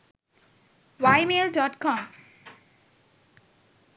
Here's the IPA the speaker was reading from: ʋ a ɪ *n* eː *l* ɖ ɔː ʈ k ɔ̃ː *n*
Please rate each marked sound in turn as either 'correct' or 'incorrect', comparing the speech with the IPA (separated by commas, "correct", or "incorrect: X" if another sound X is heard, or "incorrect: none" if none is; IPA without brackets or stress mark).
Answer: incorrect: m, correct, incorrect: m